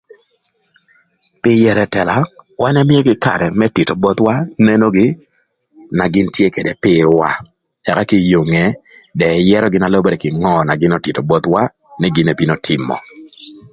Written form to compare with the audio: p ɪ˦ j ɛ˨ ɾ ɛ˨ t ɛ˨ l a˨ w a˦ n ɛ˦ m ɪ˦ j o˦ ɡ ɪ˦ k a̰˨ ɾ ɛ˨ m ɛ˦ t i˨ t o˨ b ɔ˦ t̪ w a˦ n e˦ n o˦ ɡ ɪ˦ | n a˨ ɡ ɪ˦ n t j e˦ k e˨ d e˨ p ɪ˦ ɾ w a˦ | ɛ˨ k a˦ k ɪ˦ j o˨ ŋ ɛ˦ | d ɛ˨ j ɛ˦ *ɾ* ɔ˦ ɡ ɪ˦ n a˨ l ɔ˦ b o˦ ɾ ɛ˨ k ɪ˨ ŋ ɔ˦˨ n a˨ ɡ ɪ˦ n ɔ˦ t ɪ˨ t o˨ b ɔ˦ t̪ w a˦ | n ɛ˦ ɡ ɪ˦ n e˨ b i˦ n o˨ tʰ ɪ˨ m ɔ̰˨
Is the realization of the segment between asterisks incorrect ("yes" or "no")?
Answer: no